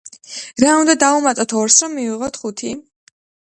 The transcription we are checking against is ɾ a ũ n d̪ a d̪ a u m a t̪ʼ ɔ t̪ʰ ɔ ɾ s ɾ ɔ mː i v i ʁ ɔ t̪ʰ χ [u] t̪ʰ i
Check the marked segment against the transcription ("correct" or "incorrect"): correct